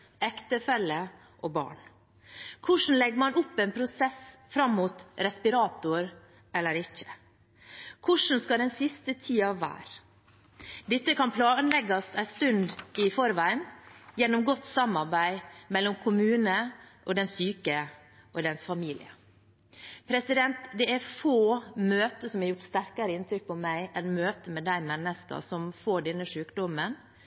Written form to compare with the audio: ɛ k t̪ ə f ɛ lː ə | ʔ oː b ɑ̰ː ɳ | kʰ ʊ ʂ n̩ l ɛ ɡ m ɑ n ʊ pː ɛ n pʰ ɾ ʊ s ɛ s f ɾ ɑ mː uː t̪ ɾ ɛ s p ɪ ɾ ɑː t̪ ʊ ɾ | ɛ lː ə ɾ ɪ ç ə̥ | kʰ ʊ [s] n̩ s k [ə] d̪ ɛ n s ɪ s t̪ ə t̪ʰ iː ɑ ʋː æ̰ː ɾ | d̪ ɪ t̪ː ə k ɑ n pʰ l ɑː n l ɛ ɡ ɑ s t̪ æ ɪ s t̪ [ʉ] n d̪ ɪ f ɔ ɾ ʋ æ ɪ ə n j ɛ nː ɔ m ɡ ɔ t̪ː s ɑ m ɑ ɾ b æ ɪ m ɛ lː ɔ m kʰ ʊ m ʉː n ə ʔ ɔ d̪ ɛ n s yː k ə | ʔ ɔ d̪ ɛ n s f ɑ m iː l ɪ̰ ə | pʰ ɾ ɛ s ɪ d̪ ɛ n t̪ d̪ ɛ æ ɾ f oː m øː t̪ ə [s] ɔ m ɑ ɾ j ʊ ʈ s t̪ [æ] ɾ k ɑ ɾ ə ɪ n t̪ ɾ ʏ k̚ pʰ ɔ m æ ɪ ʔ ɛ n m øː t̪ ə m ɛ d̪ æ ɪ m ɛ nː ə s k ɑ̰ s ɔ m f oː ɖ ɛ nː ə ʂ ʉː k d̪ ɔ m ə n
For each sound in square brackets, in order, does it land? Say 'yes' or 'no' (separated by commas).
no, no, yes, yes, yes